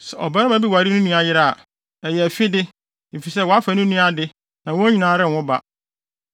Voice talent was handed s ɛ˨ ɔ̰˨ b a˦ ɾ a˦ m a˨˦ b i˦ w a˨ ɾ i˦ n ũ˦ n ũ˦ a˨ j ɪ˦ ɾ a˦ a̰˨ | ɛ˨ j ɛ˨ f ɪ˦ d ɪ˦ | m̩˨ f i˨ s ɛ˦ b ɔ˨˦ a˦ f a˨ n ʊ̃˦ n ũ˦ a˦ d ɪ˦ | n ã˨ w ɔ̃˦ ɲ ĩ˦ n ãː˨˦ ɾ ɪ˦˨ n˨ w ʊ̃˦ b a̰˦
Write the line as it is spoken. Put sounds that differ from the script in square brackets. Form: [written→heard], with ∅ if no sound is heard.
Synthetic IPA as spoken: s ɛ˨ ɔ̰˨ b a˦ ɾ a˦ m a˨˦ b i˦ w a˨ ɾ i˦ n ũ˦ n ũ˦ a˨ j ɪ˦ ɾ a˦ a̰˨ | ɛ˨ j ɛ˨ f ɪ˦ d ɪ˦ | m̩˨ f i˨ s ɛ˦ [b→w] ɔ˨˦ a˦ f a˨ n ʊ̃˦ n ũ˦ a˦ d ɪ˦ | n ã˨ w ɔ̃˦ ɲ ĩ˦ n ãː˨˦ ɾ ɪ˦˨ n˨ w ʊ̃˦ b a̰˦

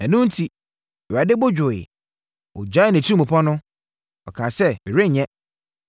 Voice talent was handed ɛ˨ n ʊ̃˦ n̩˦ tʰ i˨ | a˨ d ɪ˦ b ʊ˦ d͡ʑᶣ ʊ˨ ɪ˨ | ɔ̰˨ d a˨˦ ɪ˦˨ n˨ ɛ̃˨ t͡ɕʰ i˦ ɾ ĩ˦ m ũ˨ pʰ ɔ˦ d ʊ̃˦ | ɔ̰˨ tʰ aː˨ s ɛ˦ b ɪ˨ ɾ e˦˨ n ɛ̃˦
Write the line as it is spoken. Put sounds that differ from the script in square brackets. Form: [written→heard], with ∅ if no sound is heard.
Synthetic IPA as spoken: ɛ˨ n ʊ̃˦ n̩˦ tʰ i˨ | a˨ d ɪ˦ b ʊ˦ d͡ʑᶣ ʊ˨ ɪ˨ | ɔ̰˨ [d→d͡ʑ] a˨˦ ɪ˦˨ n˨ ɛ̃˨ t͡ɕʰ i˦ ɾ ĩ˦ m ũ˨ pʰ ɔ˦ [d→n] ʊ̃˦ | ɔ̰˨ [tʰ→kʰ] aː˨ s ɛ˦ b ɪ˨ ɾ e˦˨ [n→ɲ] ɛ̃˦

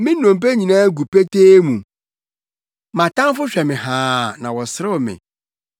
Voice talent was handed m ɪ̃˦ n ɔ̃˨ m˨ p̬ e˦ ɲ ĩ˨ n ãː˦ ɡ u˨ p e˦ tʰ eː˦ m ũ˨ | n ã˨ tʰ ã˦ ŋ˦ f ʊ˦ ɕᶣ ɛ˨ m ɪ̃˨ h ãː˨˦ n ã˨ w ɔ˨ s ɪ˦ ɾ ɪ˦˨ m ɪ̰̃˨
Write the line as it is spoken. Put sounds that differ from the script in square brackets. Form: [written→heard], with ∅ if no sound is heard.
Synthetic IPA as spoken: m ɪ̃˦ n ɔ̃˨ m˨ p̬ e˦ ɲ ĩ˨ n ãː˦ ɡ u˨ p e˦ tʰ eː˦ m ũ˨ | [n→m] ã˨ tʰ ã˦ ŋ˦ f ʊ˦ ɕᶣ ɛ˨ m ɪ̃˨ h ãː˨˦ n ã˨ w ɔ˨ s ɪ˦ ɾ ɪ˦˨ m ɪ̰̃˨

